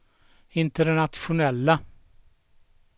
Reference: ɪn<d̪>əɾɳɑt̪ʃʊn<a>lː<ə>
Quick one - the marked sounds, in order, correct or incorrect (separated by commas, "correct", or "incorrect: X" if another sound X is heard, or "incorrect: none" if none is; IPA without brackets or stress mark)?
incorrect: t̪, incorrect: ɛ, correct